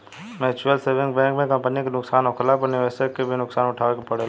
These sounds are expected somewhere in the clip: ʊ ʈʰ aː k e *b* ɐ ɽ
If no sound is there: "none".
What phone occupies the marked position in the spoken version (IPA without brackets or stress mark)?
p